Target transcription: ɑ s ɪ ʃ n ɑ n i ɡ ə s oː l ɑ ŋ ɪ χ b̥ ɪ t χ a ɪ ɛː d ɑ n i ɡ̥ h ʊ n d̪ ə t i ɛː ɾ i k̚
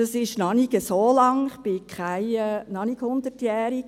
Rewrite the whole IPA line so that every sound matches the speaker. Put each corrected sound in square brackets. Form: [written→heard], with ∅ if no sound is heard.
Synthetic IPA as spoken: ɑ s ɪ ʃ n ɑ n i ɡ ə s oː l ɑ ŋ ɪ χ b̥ ɪ [t→k] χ a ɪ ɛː [d→n] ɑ n i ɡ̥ h ʊ n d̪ ə t [i→j] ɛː ɾ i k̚